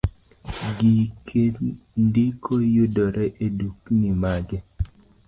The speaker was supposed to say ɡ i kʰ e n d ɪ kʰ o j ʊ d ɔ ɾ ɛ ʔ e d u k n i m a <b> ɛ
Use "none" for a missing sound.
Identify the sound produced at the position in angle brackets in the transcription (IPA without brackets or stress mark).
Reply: ɡ